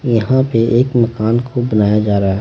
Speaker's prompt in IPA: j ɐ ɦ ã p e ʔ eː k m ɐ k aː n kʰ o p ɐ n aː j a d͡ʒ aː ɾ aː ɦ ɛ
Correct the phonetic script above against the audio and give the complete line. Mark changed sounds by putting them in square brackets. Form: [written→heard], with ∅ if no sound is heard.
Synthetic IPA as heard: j ɐ ɦ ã p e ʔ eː k m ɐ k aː n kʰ o [p→b] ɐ n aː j a d͡ʒ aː ɾ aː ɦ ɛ